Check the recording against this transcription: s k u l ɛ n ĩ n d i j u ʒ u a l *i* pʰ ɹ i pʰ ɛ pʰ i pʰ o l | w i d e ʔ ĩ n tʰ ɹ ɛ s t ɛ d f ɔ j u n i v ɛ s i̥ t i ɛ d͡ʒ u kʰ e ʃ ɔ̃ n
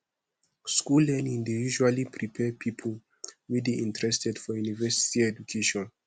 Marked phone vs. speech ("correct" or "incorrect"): correct